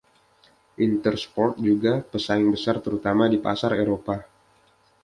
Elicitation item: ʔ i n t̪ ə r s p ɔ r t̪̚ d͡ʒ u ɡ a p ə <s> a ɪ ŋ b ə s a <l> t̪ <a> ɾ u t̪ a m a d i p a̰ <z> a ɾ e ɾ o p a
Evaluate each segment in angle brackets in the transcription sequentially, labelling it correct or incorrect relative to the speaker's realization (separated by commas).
correct, incorrect, incorrect, incorrect